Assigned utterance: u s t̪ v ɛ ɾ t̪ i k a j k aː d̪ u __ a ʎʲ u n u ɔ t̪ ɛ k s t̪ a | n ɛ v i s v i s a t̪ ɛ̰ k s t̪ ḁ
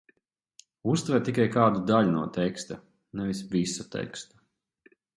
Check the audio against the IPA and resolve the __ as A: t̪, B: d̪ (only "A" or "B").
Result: B